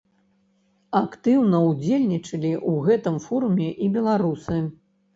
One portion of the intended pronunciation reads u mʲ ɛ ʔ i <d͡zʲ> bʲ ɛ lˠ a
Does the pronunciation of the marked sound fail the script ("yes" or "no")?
yes